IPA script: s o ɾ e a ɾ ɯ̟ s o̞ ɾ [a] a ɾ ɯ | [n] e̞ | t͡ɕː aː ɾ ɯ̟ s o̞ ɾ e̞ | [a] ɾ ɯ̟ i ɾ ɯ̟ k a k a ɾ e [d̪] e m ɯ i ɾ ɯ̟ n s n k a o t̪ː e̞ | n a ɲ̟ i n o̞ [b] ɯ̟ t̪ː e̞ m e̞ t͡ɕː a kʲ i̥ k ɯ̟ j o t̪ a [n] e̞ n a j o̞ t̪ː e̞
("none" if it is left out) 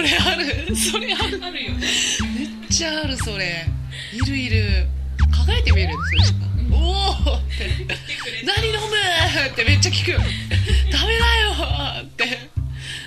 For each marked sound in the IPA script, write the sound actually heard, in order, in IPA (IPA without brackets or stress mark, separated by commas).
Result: e, m, i, t̪, m, m